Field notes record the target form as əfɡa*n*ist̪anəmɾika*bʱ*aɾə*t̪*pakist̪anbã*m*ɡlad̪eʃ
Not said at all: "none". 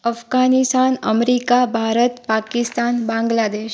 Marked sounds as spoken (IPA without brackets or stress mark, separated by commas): n, bʱ, t̪, ŋ